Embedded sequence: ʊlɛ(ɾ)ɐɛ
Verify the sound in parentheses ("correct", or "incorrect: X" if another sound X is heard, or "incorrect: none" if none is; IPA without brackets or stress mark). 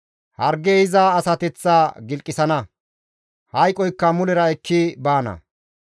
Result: correct